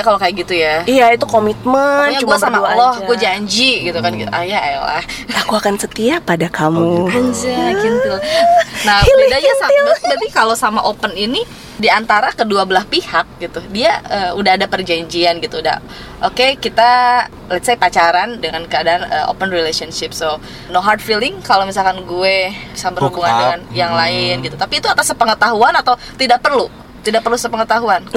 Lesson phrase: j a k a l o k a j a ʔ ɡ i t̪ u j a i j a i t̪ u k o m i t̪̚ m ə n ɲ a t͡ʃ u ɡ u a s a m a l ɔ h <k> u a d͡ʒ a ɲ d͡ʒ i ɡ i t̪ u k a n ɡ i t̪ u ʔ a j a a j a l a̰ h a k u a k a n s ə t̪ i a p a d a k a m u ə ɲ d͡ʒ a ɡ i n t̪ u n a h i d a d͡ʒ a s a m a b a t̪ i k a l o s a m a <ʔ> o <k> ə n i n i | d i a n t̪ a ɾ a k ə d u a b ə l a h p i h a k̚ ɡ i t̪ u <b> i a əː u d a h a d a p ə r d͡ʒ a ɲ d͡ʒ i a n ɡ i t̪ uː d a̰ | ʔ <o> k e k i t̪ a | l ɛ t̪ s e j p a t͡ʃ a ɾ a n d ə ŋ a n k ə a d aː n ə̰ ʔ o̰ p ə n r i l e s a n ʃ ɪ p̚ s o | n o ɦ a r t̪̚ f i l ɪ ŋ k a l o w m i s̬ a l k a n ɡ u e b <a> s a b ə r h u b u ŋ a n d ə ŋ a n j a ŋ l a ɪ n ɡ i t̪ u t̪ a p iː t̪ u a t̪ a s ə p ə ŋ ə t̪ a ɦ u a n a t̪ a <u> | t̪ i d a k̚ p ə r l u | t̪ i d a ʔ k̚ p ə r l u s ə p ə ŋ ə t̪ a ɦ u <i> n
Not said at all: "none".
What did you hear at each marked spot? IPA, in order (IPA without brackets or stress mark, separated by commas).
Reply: ɡ, ʔ, p, d, o, i, w, a